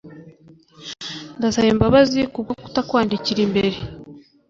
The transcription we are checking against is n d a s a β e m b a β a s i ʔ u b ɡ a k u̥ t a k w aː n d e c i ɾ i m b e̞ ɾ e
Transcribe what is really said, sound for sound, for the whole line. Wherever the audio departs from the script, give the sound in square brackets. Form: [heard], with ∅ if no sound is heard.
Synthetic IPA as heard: n d a s a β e m b a β a [z] i [k] u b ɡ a k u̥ t a k w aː n d [i] c i ɾ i m b e̞ ɾ e